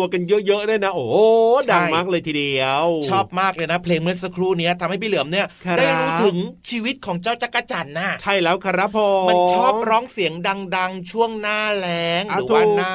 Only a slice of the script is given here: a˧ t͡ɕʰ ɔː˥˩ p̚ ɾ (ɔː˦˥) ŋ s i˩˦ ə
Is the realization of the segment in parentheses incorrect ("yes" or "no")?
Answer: no